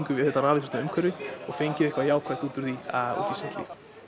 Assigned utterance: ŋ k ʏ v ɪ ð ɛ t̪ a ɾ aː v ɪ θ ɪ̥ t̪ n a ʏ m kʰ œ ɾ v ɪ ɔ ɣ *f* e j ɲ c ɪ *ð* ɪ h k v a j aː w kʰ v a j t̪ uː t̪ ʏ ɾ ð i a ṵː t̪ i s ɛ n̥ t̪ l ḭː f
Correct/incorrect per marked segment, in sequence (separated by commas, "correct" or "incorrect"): correct, correct